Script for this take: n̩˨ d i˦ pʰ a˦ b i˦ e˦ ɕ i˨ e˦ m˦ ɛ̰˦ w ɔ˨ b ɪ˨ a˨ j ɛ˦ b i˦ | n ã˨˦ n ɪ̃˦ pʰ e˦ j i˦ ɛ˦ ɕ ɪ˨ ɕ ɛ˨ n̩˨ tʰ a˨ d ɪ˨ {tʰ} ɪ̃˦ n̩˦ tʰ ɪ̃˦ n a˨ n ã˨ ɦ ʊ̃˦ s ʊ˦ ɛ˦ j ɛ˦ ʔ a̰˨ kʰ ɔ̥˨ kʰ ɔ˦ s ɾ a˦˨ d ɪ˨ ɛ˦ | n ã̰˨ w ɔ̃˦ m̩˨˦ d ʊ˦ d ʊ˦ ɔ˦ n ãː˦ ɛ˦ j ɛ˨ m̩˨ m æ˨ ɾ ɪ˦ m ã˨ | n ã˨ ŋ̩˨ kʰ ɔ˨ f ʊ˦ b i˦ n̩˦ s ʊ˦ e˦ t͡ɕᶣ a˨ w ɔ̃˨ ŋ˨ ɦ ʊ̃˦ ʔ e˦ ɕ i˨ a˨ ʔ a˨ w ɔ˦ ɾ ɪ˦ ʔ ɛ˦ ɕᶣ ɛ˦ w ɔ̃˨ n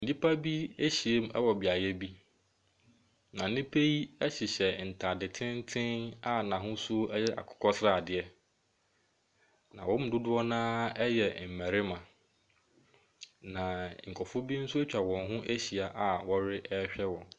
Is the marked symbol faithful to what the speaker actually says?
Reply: yes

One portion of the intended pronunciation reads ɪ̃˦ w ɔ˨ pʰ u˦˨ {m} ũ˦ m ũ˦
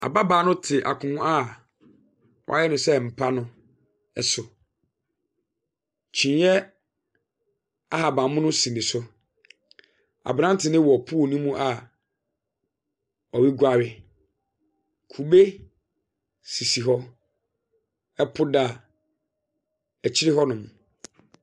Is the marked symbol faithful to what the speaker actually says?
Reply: no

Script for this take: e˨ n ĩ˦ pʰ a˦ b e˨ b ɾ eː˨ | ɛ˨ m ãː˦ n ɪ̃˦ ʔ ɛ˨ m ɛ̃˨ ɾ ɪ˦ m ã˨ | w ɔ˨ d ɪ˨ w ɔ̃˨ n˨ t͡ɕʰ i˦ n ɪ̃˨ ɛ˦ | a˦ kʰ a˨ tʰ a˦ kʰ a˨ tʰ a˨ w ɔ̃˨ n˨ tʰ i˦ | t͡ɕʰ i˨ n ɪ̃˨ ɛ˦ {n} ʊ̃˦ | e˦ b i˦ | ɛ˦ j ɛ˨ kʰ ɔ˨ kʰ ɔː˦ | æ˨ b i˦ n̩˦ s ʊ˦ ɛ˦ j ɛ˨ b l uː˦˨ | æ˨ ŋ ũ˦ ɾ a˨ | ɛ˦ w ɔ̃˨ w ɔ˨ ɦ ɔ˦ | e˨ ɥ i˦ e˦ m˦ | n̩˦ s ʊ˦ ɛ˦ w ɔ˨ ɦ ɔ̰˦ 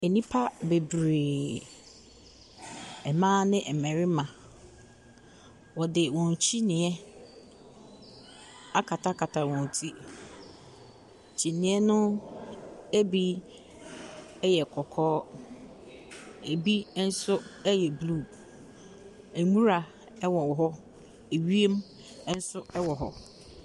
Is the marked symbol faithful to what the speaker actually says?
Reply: yes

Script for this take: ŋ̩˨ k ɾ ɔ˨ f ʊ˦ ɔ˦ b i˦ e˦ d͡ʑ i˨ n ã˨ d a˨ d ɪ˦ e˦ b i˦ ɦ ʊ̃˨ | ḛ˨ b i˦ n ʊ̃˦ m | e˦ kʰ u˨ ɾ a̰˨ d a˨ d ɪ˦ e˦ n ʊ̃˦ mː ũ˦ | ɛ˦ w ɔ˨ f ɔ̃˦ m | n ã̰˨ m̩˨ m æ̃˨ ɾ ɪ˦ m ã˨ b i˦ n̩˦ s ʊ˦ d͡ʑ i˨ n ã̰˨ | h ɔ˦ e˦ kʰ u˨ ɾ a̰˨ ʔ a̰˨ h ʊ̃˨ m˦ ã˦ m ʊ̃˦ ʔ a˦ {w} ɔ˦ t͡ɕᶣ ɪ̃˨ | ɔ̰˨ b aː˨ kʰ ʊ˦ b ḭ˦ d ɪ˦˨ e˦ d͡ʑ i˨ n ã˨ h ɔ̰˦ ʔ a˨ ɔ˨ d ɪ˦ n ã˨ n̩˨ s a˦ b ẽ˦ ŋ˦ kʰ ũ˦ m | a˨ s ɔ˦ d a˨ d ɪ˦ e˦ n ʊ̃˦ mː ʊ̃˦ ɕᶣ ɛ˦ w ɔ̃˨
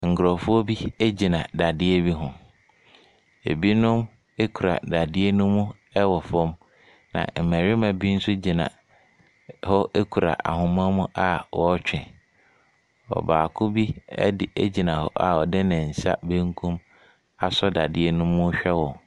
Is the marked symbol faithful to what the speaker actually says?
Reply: yes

